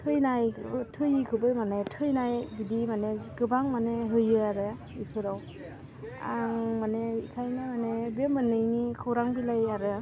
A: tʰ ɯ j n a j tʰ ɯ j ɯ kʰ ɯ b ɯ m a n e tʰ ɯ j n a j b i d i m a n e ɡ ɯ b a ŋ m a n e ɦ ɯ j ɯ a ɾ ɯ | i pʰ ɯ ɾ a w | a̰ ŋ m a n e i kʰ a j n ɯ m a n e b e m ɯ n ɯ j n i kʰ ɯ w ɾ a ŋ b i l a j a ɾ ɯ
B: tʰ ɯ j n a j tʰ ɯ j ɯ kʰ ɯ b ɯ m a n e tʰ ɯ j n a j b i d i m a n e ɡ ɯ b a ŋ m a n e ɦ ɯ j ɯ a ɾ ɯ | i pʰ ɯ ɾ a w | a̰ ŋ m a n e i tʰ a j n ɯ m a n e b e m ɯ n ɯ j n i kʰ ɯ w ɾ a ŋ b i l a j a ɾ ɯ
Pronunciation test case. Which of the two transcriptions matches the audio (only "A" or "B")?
A